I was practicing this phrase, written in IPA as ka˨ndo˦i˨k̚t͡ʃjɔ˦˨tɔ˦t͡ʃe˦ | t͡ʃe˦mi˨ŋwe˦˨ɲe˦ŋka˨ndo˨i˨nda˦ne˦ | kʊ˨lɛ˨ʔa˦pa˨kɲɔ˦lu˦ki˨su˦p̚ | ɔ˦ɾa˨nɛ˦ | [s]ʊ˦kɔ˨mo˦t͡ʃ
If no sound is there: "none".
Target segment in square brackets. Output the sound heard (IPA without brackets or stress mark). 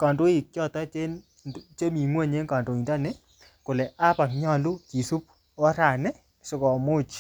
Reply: s